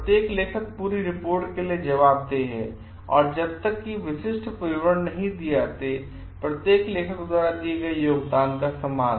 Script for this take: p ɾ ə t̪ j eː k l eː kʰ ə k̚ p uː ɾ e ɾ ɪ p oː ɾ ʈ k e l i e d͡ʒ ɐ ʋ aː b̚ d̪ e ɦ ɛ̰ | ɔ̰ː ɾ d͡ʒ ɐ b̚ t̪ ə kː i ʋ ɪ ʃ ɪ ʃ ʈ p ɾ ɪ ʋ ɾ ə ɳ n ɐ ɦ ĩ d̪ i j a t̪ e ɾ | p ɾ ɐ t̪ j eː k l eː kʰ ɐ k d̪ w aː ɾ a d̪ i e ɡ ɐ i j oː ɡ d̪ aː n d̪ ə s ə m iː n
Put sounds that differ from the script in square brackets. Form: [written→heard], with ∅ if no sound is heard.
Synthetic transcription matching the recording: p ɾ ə t̪ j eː k l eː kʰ ə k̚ p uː ɾ [e→i] ɾ ɪ p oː ɾ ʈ k e l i e d͡ʒ ɐ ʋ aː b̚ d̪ e ɦ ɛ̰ | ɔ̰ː ɾ d͡ʒ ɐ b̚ t̪ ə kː i ʋ ɪ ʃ ɪ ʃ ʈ p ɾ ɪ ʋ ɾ ə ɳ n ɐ ɦ ĩ d̪ i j a t̪ e [ɾ→∅] | p ɾ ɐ t̪ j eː k l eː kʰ [ɐ→ə] k d̪ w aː ɾ a d̪ i e ɡ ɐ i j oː ɡ d̪ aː n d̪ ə s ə m [iː→aː] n